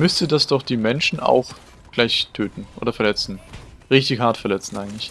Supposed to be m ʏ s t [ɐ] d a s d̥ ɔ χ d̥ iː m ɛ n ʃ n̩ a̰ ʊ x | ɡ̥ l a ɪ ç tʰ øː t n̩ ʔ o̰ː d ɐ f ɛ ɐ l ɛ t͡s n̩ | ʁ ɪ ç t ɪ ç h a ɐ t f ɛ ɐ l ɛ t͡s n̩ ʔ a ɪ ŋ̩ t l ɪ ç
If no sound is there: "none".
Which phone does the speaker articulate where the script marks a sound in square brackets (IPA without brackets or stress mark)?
ə